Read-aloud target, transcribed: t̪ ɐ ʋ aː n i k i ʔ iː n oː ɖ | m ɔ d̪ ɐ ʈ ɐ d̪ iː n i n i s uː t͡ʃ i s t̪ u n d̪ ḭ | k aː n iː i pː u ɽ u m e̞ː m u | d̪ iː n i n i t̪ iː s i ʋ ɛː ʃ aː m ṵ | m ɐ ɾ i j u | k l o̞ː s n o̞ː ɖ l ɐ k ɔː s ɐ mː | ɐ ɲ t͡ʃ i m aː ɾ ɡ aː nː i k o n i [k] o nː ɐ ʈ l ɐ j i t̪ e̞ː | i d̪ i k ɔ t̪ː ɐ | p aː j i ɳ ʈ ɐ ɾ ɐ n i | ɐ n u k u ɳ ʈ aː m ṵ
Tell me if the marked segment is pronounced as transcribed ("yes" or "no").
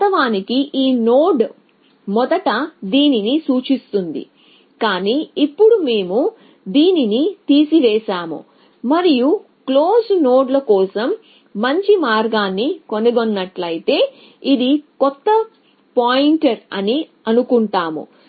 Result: no